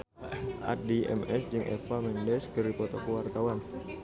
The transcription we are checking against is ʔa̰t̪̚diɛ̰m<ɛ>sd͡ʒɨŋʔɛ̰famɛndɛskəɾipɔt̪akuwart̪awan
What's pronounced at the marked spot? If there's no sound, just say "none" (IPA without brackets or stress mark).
ɛ